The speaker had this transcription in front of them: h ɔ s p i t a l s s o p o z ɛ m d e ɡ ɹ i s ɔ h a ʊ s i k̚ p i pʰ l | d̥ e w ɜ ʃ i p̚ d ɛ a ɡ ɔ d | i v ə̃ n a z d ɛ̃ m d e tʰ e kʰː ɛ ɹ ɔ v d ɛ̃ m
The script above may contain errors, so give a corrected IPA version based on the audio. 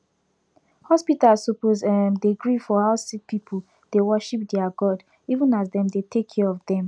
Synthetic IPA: h ɔ s p i t a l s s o p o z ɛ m d e ɡ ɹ i f ɔ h a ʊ s i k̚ p i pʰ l | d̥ e w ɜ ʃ i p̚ d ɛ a ɡ ɔ d | i v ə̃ n a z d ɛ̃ m d e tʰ e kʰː ɛ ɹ ɔ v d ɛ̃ m